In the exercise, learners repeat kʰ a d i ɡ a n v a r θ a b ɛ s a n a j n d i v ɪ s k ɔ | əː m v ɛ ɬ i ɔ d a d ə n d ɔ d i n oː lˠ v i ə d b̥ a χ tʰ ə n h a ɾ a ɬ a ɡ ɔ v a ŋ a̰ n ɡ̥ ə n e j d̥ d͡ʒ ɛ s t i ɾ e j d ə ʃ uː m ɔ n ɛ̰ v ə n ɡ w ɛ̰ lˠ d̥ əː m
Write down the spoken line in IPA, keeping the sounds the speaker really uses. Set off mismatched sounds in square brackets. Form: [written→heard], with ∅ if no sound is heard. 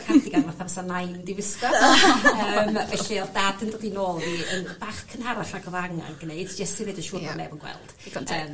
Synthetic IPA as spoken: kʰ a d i ɡ a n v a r θ a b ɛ s a n a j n d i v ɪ s k ɔ | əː m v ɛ ɬ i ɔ d a d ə n d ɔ d i n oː lˠ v i ə [d→n] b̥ a χ [tʰ→kʰ] ə n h a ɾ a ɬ a ɡ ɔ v a ŋ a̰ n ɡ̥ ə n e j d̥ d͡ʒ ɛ s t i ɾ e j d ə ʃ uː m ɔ n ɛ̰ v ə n ɡ w ɛ̰ lˠ d̥ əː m